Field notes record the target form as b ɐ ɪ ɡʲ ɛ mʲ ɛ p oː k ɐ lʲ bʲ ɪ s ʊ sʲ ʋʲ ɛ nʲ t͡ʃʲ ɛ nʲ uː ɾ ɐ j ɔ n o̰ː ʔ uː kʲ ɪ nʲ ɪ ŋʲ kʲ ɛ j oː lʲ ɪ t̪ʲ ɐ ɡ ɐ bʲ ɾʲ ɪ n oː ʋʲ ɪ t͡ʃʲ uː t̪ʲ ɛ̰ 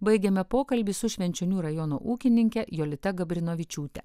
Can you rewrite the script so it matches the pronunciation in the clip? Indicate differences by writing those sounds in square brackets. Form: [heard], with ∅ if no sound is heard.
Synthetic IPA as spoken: b ɐ ɪ ɡʲ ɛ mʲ ɛ p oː k ɐ lʲ bʲ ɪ s ʊ [ʃʲ] ʋʲ ɛ nʲ t͡ʃʲ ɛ nʲ uː ɾ ɐ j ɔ n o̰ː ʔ uː kʲ ɪ nʲ ɪ ŋʲ kʲ ɛ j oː lʲ ɪ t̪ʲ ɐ ɡ ɐ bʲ ɾʲ ɪ n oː ʋʲ ɪ t͡ʃʲ uː t̪ʲ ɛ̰